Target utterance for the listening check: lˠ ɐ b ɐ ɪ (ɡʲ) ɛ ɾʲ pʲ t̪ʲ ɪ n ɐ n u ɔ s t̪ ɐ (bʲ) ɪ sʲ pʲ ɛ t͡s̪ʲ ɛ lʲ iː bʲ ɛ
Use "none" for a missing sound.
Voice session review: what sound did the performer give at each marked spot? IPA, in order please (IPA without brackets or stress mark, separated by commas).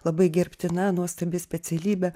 ɡʲ, bʲ